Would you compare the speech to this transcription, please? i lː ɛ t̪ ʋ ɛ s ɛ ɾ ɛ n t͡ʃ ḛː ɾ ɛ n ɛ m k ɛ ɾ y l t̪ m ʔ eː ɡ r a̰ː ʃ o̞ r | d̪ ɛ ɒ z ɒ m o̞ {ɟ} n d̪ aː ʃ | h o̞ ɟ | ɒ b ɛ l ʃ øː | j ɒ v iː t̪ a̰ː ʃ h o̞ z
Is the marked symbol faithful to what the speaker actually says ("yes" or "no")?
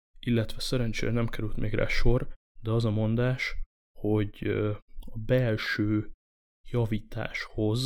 no